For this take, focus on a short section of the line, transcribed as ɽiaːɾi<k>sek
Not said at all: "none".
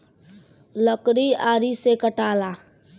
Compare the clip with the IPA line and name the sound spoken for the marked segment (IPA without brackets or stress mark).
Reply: none